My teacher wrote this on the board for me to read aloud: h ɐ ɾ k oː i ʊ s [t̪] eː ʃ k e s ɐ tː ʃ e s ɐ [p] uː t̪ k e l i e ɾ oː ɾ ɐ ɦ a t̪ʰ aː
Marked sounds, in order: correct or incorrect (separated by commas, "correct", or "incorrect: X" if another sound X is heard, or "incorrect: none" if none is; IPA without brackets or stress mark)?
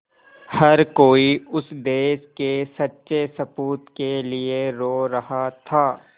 incorrect: d̪, correct